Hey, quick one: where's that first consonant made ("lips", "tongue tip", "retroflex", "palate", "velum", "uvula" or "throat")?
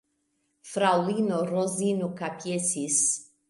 lips